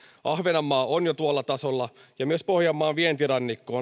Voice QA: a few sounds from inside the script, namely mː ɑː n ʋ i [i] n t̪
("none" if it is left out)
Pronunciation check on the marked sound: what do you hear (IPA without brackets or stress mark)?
e